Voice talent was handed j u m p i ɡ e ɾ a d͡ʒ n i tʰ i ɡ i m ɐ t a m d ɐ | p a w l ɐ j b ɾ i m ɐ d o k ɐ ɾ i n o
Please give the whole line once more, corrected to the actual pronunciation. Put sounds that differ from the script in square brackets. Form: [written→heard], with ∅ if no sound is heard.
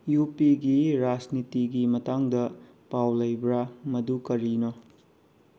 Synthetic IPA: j u [m→∅] p i ɡ [e→i] ɾ a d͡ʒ n i [tʰ→t] i ɡ i m ɐ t a [m→ŋ] d ɐ | p a w l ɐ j b ɾ [i→a] m ɐ d [o→u] k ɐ ɾ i n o